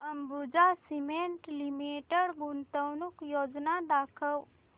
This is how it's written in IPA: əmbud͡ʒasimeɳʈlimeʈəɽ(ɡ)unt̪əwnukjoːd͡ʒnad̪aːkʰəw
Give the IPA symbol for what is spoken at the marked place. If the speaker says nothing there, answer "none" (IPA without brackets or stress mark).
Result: ɡ